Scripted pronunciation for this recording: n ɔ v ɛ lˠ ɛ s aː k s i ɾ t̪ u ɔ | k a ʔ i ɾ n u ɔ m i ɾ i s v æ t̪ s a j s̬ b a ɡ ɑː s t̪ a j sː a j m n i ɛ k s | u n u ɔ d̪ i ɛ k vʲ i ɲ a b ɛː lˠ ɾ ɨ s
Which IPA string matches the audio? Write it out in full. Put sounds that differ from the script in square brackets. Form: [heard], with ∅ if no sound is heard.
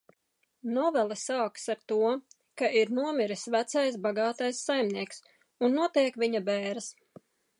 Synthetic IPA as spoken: n ɔ v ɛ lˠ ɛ s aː k s [a] ɾ t̪ u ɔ | k a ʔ i ɾ n u ɔ m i ɾ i s v æ t̪ s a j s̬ b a ɡ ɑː [∅] t̪ a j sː a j m n i ɛ k s | u [nː] u ɔ [t̪] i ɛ k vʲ i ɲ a b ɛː [∅] ɾ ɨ s